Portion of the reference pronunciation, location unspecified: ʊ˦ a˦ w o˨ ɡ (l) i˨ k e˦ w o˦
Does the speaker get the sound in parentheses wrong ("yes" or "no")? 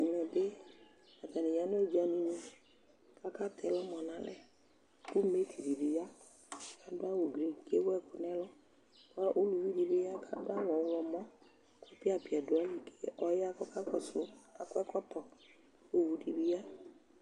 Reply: yes